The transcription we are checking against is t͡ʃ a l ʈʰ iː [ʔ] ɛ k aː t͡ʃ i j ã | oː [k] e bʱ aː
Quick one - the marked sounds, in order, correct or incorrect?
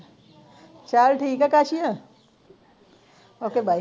incorrect: k, correct

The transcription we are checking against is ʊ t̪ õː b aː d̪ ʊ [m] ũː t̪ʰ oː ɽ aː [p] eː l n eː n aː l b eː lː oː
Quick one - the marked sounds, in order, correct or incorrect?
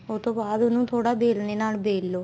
incorrect: n, incorrect: b

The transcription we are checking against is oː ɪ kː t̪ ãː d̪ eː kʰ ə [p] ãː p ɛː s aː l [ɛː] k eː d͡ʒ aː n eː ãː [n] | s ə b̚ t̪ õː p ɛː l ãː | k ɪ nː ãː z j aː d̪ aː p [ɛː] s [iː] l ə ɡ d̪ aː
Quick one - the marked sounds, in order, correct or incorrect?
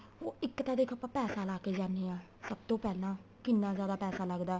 correct, incorrect: aː, incorrect: none, correct, incorrect: aː

